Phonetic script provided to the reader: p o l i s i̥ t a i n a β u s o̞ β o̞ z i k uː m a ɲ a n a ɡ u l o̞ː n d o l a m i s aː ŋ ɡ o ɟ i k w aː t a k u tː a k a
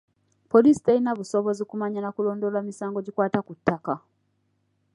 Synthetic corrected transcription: p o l i s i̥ t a i n a β u s o̞ β o̞ z i k u m a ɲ a n a k u l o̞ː n d o l a m i s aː ŋ ɡ o ɟ i k w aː t a k u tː a k a